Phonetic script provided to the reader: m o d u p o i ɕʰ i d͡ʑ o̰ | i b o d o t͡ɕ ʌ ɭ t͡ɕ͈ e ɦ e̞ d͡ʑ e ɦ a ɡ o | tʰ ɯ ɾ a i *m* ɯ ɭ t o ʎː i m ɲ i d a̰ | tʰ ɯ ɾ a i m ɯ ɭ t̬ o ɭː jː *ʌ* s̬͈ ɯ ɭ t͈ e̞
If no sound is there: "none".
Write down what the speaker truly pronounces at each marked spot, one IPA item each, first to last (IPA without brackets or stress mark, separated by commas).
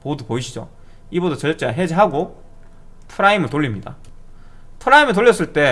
m, ʌ